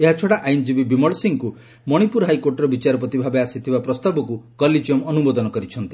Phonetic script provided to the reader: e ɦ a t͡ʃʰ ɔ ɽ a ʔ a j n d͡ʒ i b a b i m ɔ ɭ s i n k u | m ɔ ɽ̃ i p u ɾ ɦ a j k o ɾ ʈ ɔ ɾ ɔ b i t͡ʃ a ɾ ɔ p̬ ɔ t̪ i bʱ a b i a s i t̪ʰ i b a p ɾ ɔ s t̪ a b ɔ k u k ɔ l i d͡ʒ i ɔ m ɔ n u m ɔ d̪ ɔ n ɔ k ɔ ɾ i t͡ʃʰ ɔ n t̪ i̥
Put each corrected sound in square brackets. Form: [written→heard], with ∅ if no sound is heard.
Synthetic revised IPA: e ɦ a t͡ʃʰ ɔ ɽ a ʔ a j n d͡ʒ i b [a→i] b i m ɔ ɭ s i [n→ŋ] k u | m ɔ ɽ̃ i p u ɾ ɦ a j k o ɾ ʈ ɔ ɾ ɔ b i t͡ʃ a ɾ ɔ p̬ ɔ t̪ i bʱ a b [i→e] a s i t̪ʰ i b a p ɾ ɔ s t̪ a b ɔ k u k ɔ l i d͡ʒ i ɔ m ɔ n u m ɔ d̪ ɔ n ɔ k ɔ ɾ i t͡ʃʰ ɔ n t̪ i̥